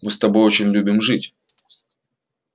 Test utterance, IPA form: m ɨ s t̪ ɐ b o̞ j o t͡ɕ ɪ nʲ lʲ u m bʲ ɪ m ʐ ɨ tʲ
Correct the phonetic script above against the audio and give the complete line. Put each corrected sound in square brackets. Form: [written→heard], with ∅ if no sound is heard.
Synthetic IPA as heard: m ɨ s t̪ ɐ b o̞ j o t͡ɕ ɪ nʲ lʲ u [m→∅] bʲ ɪ m ʐ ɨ tʲ

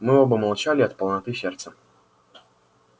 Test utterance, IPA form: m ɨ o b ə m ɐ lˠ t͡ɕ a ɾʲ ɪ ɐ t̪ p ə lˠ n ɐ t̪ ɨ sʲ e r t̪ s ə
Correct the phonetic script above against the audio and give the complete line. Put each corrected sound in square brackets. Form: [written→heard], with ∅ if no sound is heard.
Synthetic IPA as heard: m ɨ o b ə m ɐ lˠ t͡ɕ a [ɾʲ→lʲ] ɪ ɐ t̪ p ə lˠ n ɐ t̪ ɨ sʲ e r t̪ s ə

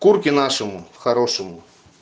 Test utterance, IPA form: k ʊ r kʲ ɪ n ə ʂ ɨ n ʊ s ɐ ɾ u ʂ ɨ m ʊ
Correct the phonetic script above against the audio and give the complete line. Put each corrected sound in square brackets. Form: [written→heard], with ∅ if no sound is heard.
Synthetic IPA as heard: k [ʊ→u] r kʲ ɪ n [ə→a] ʂ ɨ [n→m] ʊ [s→x] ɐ ɾ [u→o] ʂ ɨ m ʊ

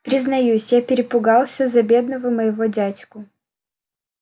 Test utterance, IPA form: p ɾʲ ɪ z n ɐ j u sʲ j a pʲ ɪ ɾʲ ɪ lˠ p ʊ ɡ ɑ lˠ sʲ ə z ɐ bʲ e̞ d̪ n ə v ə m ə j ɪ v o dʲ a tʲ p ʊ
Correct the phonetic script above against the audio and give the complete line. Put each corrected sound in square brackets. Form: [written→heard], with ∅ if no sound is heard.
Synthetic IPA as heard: p ɾʲ ɪ z n ɐ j u sʲ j a pʲ ɪ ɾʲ ɪ [lˠ→∅] p ʊ ɡ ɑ lˠ sʲ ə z ɐ bʲ e̞ d̪ n ə v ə m ə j ɪ v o dʲ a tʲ [p→k] ʊ

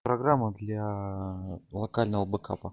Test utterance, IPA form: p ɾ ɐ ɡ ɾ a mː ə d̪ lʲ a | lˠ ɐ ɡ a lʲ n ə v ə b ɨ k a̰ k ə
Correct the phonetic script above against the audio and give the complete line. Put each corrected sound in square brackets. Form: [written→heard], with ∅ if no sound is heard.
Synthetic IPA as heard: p ɾ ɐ ɡ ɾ a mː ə d̪ lʲ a | lˠ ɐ [ɡ→k] a lʲ n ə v ə b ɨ k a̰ [k→p] ə

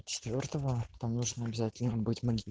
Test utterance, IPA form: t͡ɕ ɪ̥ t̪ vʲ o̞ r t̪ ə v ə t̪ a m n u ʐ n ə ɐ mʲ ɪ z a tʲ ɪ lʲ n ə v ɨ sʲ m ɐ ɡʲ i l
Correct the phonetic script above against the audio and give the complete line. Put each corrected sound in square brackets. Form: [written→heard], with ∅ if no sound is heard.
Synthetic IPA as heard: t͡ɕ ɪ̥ t̪ vʲ o̞ r t̪ ə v ə t̪ a m n u ʐ n ə ɐ [mʲ→bʲ] ɪ z a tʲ ɪ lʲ n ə [v→b] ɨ [sʲ→tʲ] m ɐ ɡʲ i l

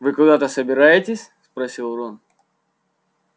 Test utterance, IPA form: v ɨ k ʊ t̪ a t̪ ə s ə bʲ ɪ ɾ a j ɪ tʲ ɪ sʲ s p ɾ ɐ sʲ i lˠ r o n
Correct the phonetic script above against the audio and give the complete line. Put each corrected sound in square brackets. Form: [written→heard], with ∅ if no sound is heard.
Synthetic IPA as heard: v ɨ k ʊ [t̪→d̪] a t̪ ə s ə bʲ ɪ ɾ a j ɪ tʲ ɪ sʲ s p ɾ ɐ sʲ i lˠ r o n

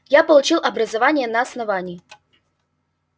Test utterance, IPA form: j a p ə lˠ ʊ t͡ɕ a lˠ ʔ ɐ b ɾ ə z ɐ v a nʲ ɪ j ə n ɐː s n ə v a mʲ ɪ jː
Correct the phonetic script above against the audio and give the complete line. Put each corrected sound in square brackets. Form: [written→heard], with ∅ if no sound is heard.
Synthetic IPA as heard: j a p ə lˠ ʊ t͡ɕ [a→i] lˠ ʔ ɐ b ɾ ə z ɐ v a nʲ ɪ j ə n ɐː s n [ə→ɐ] v a [mʲ→nʲ] ɪ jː

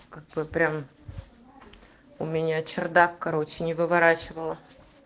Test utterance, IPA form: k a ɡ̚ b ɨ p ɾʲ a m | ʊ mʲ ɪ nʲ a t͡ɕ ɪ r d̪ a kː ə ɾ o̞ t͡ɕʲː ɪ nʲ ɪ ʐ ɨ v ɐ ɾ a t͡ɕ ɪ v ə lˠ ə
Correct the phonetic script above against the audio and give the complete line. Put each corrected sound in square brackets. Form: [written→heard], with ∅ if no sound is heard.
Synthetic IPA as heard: k a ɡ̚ b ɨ p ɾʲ a m | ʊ mʲ ɪ nʲ a t͡ɕ ɪ r d̪ a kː [ə→ɐ] ɾ o̞ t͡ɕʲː ɪ nʲ ɪ [ʐ→v] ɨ v ɐ ɾ a t͡ɕ ɪ v ə lˠ ə

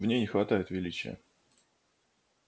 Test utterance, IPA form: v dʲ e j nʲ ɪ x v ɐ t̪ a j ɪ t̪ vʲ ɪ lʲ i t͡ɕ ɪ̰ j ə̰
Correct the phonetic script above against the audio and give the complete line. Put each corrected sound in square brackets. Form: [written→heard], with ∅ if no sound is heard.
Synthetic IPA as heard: v [dʲ→nʲ] e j nʲ ɪ x v ɐ t̪ a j ɪ t̪ vʲ ɪ lʲ i t͡ɕ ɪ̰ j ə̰

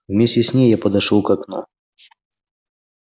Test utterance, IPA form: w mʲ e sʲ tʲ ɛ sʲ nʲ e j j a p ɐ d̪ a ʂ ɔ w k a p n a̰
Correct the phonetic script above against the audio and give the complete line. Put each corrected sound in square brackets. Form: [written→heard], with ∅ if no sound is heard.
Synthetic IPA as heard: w mʲ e sʲ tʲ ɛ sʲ nʲ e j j a p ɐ d̪ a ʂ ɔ w k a [p→k] n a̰

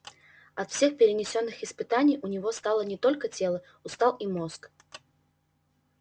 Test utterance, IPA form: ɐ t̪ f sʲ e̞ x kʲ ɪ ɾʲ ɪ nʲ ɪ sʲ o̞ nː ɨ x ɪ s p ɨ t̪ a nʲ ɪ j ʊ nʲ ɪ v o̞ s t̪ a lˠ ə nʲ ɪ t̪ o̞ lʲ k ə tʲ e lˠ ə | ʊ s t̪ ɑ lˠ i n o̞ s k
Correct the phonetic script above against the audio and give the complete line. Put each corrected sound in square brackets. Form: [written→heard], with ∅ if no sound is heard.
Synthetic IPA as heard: ɐ t̪ f sʲ e̞ x [kʲ→pʲ] ɪ ɾʲ ɪ nʲ ɪ sʲ o̞ nː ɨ x ɪ s p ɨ t̪ a nʲ ɪ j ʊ nʲ ɪ v o̞ s t̪ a lˠ ə nʲ ɪ t̪ o̞ lʲ k ə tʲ e lˠ ə | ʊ s t̪ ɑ lˠ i [n→m] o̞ s k

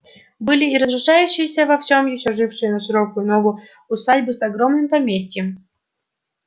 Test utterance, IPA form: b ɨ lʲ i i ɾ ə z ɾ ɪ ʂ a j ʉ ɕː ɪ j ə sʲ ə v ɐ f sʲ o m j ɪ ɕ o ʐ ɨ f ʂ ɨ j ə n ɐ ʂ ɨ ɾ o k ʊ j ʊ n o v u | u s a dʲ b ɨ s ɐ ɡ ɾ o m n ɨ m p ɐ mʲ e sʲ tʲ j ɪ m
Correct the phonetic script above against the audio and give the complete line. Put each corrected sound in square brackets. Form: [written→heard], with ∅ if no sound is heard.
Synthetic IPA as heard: b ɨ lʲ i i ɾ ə z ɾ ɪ ʂ a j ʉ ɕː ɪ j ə sʲ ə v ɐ f sʲ o m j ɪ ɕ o ʐ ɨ f ʂ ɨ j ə n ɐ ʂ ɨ ɾ o k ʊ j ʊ n o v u | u s a dʲ b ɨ s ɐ ɡ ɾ o m n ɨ m p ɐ mʲ e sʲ tʲ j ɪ m

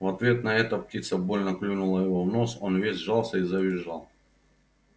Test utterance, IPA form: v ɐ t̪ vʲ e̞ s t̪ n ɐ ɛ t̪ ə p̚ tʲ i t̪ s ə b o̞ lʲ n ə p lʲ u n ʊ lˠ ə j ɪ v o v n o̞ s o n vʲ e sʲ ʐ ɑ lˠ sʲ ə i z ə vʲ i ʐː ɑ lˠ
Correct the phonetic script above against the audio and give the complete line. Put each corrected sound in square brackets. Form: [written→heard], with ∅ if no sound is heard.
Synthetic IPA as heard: v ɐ t̪ vʲ e̞ [s→∅] t̪ n ɐ ɛ t̪ ə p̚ tʲ i t̪ s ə b o̞ lʲ n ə [p→k] lʲ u n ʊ lˠ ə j ɪ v o v n o̞ s o n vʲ e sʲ ʐ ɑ lˠ sʲ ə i z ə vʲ [i→ɪ] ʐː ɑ lˠ

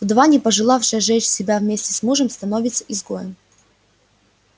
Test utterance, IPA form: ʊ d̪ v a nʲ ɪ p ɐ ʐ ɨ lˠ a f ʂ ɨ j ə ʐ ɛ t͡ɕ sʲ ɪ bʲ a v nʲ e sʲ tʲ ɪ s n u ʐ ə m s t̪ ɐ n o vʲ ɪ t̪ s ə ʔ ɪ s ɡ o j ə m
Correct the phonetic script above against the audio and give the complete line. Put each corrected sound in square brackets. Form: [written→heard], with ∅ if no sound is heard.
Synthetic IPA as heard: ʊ d̪ v a nʲ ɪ p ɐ ʐ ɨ lˠ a f ʂ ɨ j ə ʐ ɛ t͡ɕ sʲ ɪ bʲ a v [nʲ→mʲ] e sʲ tʲ ɪ s [n→m] u ʐ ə m s t̪ ɐ n o vʲ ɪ t̪ s ə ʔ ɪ [s→z] ɡ o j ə m

